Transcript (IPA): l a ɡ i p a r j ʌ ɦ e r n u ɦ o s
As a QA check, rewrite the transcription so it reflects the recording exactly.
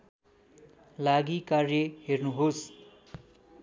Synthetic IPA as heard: l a ɡ i k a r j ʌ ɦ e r n u ɦ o s